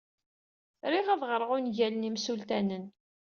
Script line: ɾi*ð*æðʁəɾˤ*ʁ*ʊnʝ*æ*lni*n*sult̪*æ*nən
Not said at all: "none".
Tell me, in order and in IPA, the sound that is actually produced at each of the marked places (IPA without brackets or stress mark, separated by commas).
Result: ʁ, ʁ, æ, m, æ